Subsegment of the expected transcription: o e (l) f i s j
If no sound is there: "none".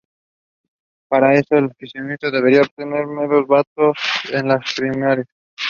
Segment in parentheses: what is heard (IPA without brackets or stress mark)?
l